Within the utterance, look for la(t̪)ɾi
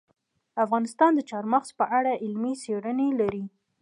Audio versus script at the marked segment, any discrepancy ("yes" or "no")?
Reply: yes